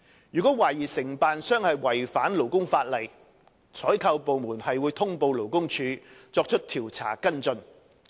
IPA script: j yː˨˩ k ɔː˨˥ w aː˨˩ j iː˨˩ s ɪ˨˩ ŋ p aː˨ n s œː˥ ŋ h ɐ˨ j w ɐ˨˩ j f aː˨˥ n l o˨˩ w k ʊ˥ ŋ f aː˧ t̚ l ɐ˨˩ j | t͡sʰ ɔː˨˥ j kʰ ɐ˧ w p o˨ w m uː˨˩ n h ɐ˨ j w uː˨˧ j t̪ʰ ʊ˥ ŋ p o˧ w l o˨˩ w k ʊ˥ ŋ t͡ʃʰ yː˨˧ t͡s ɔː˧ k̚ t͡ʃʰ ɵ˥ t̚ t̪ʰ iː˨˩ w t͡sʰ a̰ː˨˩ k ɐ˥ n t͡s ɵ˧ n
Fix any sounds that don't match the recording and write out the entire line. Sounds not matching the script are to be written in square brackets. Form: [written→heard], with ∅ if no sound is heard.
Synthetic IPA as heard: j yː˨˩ k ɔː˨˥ w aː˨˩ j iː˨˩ s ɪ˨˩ ŋ p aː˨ n s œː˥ ŋ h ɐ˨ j w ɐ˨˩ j f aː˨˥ n l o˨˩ w k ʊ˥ ŋ f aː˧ t̚ l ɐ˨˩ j | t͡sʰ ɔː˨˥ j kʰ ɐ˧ w p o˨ w m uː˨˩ n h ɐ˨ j w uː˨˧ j t̪ʰ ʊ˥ ŋ p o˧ w l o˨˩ w k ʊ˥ ŋ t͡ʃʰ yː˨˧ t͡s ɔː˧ k̚ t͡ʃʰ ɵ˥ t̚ t̪ʰ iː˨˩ w t͡sʰ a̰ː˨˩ k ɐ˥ n t͡s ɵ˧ n